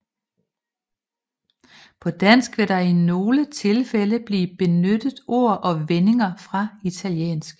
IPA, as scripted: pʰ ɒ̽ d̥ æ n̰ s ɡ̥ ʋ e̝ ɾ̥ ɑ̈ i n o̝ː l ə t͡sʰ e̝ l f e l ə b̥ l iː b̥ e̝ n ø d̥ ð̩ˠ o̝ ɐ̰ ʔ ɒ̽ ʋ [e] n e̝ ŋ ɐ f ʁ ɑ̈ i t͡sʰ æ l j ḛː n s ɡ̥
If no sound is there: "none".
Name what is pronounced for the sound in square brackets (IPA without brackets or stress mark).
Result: e